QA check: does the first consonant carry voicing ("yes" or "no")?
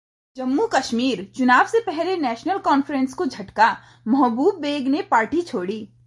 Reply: yes